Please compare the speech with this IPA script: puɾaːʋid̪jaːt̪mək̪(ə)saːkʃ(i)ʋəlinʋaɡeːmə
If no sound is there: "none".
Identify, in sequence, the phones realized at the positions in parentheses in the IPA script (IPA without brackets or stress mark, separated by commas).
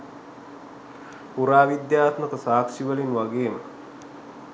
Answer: ə, i